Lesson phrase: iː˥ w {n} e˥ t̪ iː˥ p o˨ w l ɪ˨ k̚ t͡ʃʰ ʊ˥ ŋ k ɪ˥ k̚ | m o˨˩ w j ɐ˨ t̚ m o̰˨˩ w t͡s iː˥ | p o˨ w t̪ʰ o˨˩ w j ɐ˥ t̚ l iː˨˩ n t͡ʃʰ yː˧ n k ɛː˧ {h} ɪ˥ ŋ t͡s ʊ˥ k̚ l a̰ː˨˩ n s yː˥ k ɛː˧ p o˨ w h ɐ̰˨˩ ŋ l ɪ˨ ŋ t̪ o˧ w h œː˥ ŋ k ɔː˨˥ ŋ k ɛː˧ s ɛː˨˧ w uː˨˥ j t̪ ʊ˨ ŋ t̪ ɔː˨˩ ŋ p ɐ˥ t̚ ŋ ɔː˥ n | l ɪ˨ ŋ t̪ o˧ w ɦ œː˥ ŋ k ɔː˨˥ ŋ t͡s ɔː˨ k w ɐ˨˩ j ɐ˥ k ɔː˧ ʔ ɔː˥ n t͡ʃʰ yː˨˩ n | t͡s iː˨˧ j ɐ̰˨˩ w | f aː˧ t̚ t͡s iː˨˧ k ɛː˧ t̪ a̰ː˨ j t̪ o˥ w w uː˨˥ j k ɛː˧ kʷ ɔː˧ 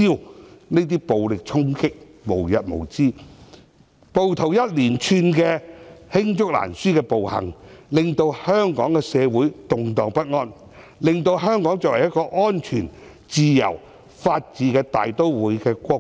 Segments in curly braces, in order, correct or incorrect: correct, correct

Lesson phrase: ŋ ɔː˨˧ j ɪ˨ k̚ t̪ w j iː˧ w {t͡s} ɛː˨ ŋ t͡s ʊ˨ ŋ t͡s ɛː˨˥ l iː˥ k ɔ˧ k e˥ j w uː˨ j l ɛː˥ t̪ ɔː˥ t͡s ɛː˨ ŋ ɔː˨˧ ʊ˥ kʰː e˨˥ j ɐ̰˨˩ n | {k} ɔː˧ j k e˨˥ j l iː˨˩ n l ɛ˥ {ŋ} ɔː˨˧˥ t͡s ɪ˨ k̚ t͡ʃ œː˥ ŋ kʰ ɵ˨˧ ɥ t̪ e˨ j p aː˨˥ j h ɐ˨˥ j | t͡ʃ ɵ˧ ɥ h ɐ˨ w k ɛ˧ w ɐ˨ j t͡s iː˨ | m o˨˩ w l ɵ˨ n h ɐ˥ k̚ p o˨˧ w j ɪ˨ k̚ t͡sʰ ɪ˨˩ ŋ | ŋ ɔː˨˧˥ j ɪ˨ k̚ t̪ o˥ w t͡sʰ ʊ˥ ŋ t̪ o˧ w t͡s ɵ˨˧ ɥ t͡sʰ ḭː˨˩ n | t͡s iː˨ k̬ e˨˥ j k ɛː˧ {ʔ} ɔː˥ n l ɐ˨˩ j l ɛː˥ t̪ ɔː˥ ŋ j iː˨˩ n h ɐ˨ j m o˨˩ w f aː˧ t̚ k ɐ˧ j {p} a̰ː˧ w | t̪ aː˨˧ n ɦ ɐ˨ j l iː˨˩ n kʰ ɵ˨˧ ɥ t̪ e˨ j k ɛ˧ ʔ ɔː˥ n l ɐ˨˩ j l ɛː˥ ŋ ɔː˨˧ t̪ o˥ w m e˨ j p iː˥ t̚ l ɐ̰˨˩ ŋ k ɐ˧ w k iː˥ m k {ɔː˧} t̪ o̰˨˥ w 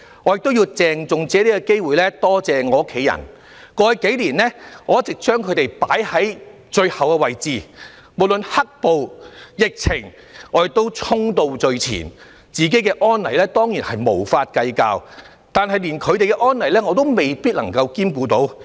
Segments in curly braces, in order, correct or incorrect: correct, correct, correct, correct, incorrect: k, incorrect: uː˧

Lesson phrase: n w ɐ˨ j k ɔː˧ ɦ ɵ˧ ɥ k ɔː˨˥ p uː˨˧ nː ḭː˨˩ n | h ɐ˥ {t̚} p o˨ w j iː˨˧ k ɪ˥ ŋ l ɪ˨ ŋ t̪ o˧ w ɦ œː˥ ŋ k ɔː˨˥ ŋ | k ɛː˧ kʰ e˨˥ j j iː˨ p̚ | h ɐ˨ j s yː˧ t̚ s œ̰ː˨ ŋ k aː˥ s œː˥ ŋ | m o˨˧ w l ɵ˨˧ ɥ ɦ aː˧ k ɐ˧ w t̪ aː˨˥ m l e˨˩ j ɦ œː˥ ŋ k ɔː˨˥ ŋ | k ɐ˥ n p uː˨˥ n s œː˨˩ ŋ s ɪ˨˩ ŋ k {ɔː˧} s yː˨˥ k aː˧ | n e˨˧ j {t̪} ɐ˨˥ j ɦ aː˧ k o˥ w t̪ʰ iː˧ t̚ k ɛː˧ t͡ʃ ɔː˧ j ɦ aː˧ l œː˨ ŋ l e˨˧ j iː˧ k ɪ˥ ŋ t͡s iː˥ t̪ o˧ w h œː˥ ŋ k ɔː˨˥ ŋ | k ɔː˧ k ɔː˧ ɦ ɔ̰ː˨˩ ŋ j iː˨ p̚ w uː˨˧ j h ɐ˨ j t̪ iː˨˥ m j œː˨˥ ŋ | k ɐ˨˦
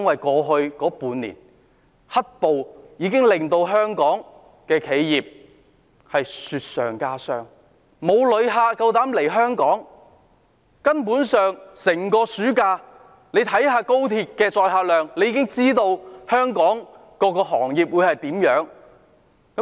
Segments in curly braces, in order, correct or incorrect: correct, correct, incorrect: t̪ʰ

